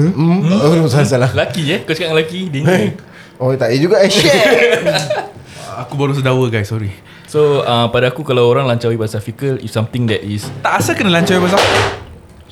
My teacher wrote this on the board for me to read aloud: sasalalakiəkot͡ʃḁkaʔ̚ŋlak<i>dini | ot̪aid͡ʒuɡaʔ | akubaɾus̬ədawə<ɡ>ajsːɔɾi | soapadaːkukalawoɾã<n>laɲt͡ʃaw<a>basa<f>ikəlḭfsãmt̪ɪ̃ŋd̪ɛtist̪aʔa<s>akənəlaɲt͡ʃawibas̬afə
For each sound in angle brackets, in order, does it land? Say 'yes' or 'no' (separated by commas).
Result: yes, yes, no, no, yes, yes